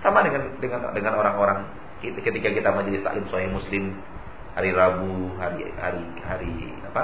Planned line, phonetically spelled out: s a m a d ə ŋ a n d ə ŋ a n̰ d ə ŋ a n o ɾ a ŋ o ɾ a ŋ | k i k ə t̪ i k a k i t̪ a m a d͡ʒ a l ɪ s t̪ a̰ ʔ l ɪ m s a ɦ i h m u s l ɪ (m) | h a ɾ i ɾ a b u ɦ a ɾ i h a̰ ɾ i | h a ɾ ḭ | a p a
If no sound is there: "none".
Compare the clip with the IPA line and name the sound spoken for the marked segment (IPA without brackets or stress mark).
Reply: m